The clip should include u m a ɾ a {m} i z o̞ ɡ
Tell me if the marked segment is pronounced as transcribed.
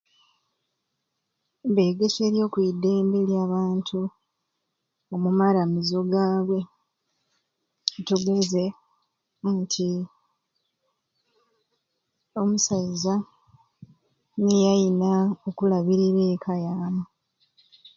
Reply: yes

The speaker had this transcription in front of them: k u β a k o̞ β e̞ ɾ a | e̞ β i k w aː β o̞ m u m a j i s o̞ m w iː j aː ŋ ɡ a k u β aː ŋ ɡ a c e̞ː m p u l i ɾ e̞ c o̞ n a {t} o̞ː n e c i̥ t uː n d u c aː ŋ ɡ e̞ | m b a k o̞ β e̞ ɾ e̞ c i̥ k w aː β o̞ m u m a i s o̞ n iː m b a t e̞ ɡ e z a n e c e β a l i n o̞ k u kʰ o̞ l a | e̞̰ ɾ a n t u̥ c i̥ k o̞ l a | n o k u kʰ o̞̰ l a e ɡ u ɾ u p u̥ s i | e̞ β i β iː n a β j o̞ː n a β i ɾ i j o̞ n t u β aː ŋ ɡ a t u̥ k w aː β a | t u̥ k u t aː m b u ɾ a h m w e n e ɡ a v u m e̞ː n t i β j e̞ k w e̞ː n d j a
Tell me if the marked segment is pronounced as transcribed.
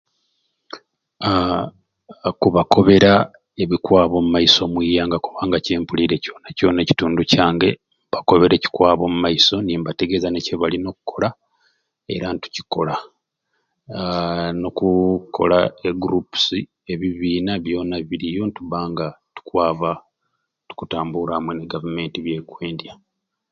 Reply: no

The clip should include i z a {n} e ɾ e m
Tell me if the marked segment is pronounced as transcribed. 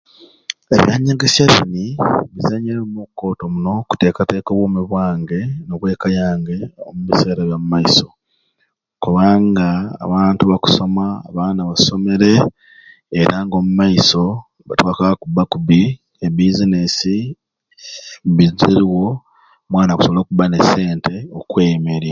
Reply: no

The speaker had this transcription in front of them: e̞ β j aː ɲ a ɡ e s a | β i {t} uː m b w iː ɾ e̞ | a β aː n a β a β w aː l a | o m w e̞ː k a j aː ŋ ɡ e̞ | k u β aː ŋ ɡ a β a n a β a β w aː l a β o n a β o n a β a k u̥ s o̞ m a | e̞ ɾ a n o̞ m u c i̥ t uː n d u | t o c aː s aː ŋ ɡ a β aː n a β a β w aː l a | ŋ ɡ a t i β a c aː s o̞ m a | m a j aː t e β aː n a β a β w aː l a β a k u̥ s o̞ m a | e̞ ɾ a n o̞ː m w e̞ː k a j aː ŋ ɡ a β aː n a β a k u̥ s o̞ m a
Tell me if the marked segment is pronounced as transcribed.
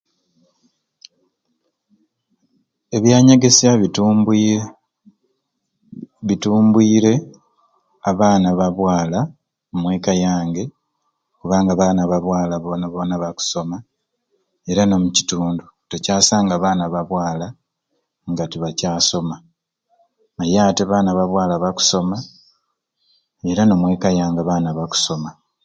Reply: yes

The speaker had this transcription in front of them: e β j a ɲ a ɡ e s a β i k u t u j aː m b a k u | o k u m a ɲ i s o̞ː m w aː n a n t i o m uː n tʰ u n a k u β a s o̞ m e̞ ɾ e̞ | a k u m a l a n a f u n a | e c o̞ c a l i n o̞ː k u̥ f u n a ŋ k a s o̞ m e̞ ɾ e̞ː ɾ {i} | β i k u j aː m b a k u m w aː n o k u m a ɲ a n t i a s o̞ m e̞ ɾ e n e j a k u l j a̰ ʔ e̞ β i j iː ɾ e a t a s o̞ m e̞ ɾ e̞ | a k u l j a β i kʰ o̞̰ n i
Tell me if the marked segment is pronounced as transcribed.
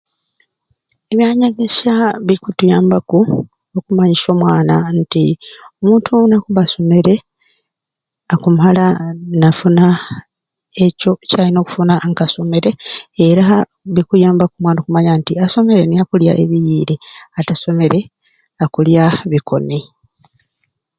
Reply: no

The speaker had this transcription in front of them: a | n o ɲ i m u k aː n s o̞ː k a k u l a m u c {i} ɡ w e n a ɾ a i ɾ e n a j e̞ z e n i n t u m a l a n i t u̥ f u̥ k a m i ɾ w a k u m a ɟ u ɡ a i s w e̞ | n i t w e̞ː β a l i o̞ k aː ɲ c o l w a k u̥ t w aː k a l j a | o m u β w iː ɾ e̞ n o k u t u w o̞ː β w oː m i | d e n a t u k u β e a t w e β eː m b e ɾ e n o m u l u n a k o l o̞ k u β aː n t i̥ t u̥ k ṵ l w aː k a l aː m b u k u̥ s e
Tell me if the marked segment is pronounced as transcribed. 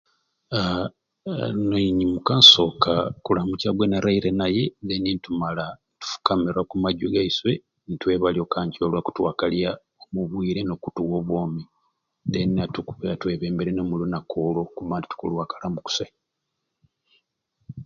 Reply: no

